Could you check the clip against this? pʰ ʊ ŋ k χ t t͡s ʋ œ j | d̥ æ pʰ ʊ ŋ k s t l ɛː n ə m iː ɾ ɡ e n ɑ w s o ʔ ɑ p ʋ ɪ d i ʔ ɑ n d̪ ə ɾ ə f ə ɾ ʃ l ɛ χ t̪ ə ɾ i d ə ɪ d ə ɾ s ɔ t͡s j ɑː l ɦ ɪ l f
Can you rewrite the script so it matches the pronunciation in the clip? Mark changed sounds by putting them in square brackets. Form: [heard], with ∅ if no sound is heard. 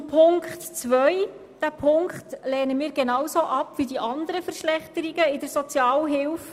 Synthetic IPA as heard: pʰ ʊ ŋ k χ t t͡s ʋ œ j | d̥ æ pʰ ʊ ŋ k [χ] t l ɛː n ə m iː ɾ ɡ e n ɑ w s o ʔ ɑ p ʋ [i] d i ʔ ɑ n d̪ ə ɾ ə f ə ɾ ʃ l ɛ χ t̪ ə ɾ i [ɡ] ə ɪ d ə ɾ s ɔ t͡s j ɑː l ɦ ɪ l f

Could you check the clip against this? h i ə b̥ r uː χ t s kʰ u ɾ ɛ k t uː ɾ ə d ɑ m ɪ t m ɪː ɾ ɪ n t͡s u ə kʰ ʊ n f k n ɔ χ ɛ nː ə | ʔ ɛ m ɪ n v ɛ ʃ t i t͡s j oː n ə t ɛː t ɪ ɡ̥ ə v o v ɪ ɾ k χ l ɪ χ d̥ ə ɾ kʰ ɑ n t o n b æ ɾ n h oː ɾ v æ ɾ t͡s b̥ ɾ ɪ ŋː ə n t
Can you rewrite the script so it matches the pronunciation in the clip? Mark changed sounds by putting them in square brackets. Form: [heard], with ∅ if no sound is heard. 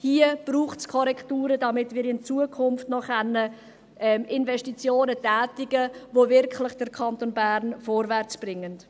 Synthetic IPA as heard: h i ə b̥ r uː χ t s kʰ [ɔ] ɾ ɛ k t uː ɾ ə d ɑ m ɪ t m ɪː ɾ ɪ n t͡s u ə kʰ ʊ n f [t] n ɔ χ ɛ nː ə | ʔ ɛ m ɪ n v ɛ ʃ t i t͡s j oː n ə t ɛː t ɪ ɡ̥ ə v o v ɪ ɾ k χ l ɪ χ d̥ ə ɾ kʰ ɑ n t o n b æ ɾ n [f] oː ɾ v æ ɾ t͡s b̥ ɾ ɪ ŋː ə n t

